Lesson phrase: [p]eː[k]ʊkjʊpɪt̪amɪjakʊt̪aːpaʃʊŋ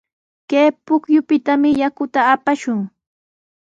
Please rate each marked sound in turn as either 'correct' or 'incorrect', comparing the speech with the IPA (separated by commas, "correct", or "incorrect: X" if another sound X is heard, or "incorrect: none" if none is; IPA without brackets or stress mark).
incorrect: k, incorrect: p